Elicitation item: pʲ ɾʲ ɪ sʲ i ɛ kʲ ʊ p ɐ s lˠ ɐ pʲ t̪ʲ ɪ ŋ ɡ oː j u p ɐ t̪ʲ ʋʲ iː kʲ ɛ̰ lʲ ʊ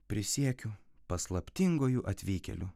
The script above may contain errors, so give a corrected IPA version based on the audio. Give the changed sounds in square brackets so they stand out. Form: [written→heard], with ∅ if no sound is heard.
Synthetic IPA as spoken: pʲ ɾʲ ɪ sʲ i ɛ kʲ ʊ p ɐ s lˠ ɐ pʲ t̪ʲ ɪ ŋ ɡ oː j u [p→ʔ] ɐ t̪ʲ ʋʲ iː kʲ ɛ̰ lʲ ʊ